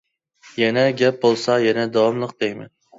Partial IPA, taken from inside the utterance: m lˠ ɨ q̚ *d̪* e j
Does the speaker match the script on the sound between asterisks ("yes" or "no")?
yes